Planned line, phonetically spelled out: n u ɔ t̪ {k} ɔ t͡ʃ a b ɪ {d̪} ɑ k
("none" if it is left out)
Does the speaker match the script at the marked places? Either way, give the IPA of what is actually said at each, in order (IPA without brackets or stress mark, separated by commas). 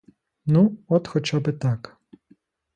x, t̪